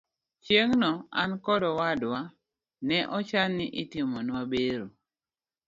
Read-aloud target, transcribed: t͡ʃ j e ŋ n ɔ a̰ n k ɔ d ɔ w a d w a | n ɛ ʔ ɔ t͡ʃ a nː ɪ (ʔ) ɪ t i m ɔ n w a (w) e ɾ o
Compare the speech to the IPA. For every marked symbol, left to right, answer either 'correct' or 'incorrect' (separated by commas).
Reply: correct, incorrect